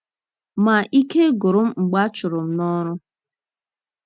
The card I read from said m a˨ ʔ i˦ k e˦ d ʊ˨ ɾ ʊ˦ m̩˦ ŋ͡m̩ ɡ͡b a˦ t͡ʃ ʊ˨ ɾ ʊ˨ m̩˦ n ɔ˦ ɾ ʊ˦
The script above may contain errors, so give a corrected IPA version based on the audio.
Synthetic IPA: m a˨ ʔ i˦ k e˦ ɡ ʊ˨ ɾ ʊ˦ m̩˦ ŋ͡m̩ ɡ͡b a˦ t͡ʃ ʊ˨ ɾ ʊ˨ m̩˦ n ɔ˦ ɾ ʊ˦